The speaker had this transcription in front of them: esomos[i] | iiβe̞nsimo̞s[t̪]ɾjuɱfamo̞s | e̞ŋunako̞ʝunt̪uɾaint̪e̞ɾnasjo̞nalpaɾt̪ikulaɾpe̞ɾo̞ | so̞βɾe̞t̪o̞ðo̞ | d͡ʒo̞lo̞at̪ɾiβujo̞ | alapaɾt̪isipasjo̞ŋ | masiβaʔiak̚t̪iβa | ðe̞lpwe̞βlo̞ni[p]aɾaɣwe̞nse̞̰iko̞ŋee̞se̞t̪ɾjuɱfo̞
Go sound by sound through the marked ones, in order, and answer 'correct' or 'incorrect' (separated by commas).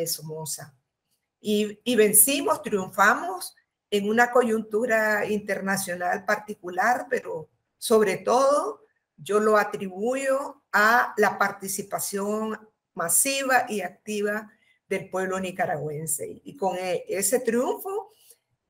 incorrect, correct, incorrect